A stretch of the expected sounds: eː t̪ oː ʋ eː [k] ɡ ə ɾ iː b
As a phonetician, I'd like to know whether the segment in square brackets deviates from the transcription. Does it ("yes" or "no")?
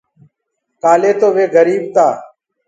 yes